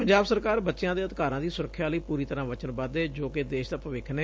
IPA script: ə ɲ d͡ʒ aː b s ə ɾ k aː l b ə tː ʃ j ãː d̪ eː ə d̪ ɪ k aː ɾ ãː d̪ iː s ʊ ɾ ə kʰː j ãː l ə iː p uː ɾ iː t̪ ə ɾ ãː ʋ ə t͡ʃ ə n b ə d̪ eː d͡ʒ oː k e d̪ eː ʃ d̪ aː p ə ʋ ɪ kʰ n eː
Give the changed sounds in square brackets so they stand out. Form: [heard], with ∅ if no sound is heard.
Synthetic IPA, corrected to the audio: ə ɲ d͡ʒ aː b s ə ɾ k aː [ɾ] b ə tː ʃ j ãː d̪ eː ə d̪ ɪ k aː ɾ ãː d̪ iː s ʊ ɾ ə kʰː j [aː] l ə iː p uː ɾ iː t̪ ə ɾ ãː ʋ ə t͡ʃ ə n b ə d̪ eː d͡ʒ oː k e d̪ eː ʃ d̪ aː p ə ʋ ɪ kʰ n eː

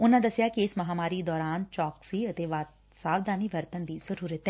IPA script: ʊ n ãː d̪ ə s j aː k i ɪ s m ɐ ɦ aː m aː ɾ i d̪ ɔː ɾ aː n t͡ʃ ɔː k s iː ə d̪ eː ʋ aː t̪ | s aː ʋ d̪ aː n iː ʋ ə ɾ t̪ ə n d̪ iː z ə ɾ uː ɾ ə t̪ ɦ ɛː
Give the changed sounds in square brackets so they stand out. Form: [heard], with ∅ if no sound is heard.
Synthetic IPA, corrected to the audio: ʊ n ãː d̪ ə s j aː k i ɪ s m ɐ ɦ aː m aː ɾ i d̪ ɔː ɾ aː n t͡ʃ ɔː k s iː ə [t̪] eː ʋ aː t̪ | s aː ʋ d̪ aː n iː ʋ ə ɾ t̪ ə n d̪ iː z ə ɾ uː ɾ ə t̪ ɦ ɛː

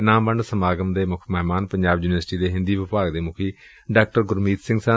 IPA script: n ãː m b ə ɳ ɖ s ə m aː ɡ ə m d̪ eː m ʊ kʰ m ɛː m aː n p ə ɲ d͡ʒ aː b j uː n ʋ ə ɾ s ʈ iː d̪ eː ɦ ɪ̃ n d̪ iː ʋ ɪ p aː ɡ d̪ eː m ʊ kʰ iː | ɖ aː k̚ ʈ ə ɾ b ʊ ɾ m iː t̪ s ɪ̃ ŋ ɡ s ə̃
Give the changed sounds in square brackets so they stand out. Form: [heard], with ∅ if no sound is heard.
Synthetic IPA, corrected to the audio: n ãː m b ə ɳ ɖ s ə m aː ɡ ə m d̪ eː m ʊ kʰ m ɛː m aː n p ə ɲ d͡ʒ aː b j uː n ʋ ə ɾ s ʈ iː d̪ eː ɦ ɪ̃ n d̪ iː ʋ ɪ p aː ɡ d̪ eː m ʊ kʰ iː | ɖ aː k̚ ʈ ə ɾ [ɡ] ʊ ɾ m iː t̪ s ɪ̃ ŋ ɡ s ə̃

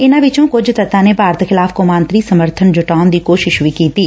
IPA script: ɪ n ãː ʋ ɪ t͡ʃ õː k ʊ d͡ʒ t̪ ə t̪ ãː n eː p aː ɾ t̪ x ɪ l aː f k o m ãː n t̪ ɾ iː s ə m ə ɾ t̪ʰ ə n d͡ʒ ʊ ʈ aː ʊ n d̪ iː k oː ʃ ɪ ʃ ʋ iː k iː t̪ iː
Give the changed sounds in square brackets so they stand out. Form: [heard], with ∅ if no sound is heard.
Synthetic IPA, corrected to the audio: ɪ n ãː ʋ ɪ t͡ʃ õː k ʊ d͡ʒ t̪ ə t̪ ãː n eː p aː ɾ t̪ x ɪ l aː f k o m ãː n t̪ ɾ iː s ə m ə ɾ t̪ʰ ə n d͡ʒ ʊ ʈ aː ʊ n d̪ iː k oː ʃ ɪ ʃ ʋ iː k iː t̪ iː

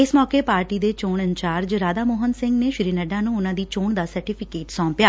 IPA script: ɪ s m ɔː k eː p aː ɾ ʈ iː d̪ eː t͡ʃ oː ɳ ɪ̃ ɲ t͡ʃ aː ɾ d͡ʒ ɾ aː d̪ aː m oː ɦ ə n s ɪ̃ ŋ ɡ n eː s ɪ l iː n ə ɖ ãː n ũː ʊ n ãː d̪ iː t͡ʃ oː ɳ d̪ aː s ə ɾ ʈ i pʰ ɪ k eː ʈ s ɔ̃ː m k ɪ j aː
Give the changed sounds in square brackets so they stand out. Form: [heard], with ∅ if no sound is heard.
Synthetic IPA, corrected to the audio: ɪ s m ɔː k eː p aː ɾ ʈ iː d̪ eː t͡ʃ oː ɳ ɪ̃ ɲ t͡ʃ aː ɾ d͡ʒ ɾ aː d̪ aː m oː ɦ ə n s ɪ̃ ŋ ɡ n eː [ʃ] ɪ [ɾ] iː n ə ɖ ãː n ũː ʊ n ãː d̪ iː t͡ʃ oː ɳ d̪ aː s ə ɾ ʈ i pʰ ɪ k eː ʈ s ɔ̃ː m [p] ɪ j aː

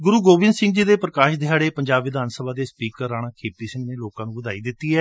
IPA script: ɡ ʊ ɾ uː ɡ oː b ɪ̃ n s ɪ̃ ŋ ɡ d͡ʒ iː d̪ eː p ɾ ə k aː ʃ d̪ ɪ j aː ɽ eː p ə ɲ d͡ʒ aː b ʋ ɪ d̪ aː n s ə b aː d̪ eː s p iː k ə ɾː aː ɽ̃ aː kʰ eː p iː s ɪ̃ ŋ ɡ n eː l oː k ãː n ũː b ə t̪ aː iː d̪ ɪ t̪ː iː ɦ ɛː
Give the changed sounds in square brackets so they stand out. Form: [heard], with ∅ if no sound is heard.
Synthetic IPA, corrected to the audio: ɡ ʊ ɾ uː ɡ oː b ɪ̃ n s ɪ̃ ŋ ɡ d͡ʒ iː d̪ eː p ɾ ə k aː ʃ d̪ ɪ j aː ɽ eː p ə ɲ d͡ʒ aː b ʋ ɪ d̪ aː n s ə b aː d̪ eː s p iː k ə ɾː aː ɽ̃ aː kʰ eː p iː s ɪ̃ ŋ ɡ n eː l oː k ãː n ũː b ə [d̪] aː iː d̪ ɪ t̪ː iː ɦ ɛː

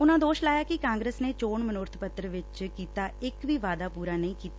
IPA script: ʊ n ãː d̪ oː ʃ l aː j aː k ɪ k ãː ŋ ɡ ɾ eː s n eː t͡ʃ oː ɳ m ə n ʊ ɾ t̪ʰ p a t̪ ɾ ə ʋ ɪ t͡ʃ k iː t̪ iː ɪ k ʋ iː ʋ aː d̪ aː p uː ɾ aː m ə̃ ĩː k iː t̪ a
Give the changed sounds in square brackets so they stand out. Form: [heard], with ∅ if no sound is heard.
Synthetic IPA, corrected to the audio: ʊ n ãː d̪ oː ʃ l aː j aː k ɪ k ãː ŋ ɡ ɾ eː s n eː t͡ʃ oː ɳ m ə n ʊ ɾ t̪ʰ p [ə] t̪ ɾ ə ʋ ɪ t͡ʃ k iː t̪ [aː] ɪ k ʋ iː ʋ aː d̪ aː p uː ɾ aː [n] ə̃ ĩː k iː t̪ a

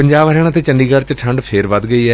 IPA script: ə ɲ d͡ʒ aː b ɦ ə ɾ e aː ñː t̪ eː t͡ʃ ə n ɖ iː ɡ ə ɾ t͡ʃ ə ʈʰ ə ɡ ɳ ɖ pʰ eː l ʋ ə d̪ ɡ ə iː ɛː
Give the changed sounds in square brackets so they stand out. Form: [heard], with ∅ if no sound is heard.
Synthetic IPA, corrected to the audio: ə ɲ d͡ʒ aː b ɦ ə ɾ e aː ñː t̪ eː t͡ʃ ə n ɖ iː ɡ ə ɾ t͡ʃ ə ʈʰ ə [∅] ɳ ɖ pʰ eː [ɾ] ʋ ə d̪ ɡ ə iː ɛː

